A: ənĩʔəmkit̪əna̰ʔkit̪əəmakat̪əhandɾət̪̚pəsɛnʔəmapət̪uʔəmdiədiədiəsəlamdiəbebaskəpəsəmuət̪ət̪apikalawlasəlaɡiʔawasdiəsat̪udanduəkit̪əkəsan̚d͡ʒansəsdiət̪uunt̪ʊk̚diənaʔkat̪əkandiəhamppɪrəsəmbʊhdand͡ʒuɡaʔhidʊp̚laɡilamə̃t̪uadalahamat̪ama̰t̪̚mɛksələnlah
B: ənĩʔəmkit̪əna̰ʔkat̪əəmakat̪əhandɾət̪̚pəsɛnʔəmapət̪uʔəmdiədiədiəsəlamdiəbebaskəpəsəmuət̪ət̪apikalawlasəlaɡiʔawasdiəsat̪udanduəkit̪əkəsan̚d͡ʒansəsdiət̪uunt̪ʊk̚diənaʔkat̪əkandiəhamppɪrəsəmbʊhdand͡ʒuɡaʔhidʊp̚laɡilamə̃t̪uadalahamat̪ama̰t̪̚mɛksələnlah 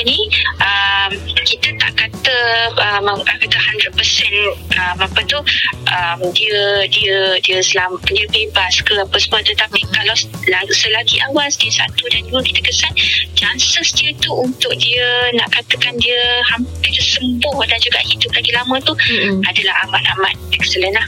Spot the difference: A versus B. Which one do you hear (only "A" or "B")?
B